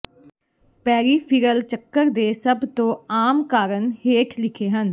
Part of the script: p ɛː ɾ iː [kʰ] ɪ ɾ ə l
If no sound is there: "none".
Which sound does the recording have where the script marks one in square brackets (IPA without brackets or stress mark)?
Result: pʰ